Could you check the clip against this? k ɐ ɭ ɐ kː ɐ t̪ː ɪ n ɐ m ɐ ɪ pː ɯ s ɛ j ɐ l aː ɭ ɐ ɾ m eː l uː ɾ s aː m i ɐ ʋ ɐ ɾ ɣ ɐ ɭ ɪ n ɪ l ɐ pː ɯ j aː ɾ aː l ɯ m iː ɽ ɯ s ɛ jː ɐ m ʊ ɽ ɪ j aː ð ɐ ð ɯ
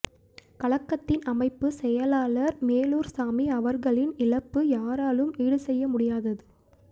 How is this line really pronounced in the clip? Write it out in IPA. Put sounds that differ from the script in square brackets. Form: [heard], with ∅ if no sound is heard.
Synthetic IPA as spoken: k ɐ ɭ ɐ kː ɐ t̪ː ɪ n ɐ m ɐ ɪ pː ɯ s ɛ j ɐ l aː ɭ ɐ ɾ m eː l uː ɾ s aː m i ɐ ʋ ɐ ɾ ɣ ɐ ɭ ɪ n ɪ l ɐ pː ɯ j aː ɾ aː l ɯ m iː ɽ ɯ s ɛ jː ɐ m ʊ ɽ ɪ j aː ð ɐ ð ɯ